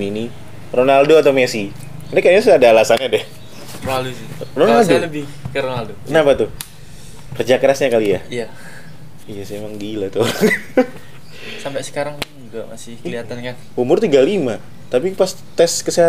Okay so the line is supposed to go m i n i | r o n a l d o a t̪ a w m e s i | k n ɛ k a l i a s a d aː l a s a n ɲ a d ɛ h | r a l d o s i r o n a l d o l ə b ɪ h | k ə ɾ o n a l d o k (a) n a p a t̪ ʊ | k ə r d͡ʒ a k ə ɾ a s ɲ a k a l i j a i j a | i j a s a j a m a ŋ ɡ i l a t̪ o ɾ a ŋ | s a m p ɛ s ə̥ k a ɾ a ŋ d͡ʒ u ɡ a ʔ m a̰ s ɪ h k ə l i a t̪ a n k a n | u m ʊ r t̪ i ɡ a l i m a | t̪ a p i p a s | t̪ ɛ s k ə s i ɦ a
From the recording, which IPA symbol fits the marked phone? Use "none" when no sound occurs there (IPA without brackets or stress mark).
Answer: ə